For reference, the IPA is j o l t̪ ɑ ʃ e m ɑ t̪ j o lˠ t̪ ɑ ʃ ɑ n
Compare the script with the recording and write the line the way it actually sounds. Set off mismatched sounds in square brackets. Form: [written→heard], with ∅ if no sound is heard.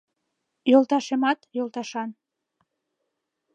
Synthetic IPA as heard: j o l t̪ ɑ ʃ e m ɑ t̪ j o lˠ t̪ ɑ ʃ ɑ n